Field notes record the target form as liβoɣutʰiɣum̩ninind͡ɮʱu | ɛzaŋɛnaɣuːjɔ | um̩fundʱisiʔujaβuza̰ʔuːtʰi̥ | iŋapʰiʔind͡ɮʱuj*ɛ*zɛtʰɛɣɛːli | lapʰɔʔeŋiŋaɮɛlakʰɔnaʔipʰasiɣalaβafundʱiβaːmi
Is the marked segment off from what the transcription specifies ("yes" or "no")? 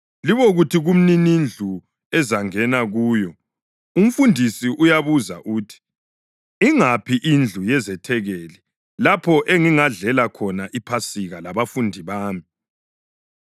no